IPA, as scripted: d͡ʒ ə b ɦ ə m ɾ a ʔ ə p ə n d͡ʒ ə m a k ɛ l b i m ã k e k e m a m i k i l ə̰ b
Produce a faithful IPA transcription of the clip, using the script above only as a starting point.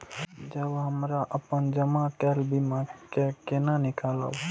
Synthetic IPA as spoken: d͡ʒ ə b ɦ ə m ɾ a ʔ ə p ə n d͡ʒ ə m a k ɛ l b i m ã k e k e n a n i k a l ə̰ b